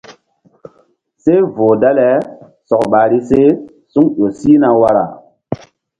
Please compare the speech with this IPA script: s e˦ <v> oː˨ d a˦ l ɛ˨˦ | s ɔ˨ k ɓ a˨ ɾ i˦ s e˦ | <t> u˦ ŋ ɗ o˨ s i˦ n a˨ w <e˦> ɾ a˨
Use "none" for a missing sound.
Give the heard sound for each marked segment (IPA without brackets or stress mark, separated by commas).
v, s, a˦